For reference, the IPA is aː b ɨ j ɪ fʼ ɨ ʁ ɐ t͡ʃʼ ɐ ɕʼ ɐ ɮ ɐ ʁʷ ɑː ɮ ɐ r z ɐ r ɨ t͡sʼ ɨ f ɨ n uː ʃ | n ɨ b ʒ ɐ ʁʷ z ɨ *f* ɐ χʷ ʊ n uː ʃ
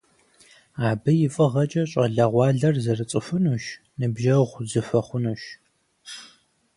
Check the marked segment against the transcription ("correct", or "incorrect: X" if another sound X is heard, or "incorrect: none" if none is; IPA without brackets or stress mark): correct